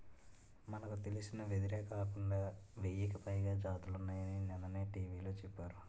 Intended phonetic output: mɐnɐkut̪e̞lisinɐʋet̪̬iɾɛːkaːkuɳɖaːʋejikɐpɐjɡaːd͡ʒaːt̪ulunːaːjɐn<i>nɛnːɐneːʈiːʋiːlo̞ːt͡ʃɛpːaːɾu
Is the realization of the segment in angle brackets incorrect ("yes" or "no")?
no